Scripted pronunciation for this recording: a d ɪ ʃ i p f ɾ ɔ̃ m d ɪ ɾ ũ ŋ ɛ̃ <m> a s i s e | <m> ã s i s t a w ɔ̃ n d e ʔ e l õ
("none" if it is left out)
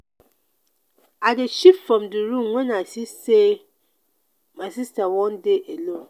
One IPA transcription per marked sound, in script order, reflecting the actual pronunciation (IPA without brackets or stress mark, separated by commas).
n, m